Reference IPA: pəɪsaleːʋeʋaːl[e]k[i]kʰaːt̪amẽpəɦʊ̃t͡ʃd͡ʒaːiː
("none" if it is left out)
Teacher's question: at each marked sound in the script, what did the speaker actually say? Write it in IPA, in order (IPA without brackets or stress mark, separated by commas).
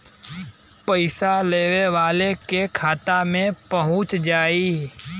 e, e